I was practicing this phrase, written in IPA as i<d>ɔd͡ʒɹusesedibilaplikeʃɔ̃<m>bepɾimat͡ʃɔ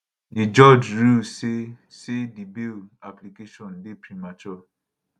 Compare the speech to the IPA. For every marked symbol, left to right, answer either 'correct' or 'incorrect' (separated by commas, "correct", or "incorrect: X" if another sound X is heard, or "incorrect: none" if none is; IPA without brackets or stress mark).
incorrect: d͡ʒ, incorrect: n